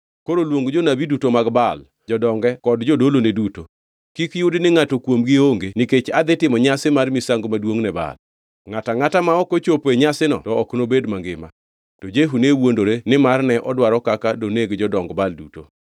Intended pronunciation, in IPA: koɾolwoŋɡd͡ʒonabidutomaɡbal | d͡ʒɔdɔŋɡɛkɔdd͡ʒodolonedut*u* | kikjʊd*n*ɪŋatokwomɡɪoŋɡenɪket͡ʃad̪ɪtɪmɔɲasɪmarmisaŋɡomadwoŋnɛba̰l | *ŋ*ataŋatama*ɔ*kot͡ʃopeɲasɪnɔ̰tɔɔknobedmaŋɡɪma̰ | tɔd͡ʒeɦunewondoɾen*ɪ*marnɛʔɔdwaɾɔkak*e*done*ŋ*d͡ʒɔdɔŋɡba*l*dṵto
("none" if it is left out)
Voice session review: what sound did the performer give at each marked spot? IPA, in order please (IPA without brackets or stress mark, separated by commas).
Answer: o, n, ŋ, ɔ, ɪ, a, ɡ, l